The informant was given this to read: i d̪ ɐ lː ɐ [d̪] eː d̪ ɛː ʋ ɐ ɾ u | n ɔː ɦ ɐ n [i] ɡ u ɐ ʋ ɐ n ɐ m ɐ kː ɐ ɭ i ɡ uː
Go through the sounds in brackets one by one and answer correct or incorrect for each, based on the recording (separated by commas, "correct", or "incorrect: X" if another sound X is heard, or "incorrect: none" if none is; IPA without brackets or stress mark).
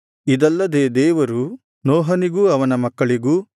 correct, correct